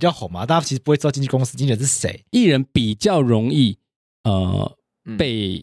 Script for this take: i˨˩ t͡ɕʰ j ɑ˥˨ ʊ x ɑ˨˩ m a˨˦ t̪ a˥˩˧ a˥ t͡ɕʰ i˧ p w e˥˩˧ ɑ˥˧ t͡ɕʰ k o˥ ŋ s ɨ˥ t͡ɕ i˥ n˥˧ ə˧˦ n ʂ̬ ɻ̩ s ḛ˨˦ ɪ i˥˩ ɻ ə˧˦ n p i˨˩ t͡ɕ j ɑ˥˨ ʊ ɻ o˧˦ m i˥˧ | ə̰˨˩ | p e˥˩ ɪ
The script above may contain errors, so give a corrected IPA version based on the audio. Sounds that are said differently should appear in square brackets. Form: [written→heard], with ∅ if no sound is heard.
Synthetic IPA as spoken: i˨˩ [t͡ɕʰ→t͡ɕ] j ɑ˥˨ ʊ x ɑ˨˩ m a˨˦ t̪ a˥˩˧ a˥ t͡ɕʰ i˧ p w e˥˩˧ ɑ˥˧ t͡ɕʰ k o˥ ŋ s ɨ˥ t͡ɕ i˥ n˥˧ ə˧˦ n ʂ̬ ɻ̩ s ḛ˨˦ ɪ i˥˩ ɻ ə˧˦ n p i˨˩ t͡ɕ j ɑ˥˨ ʊ ɻ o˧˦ [m→ŋ] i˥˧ | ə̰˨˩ | p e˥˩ ɪ